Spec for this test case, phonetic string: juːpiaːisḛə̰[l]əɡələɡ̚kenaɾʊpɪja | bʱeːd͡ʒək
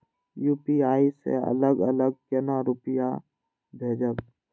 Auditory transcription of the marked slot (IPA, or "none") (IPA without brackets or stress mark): l